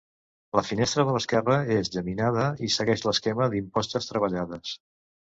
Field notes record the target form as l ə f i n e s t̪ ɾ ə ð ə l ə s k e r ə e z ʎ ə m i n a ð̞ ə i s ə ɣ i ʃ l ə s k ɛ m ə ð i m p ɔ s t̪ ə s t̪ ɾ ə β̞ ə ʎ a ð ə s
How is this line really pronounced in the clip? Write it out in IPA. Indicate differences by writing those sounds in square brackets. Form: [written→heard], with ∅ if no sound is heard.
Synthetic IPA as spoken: l ə f i n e s t̪ ɾ ə ð ə l ə s k [e→ɛ] r ə e z ʎ ə m i n a ð̞ ə i s ə ɣ [i→ɛ] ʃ l ə s k ɛ m ə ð i m p ɔ s t̪ ə s t̪ ɾ ə β̞ ə ʎ a ð ə s